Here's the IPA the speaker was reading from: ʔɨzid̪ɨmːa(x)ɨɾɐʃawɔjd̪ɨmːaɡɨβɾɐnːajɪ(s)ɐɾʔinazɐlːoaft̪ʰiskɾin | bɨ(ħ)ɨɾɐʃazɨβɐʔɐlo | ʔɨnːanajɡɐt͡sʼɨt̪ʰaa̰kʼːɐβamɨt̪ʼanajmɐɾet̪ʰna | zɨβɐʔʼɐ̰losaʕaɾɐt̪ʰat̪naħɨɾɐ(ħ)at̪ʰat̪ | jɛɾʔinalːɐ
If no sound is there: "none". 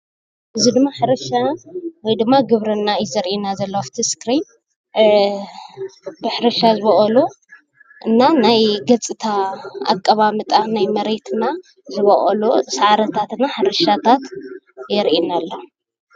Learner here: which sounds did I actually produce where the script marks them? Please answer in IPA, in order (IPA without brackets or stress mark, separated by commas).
ħ, z, ħ, ʃ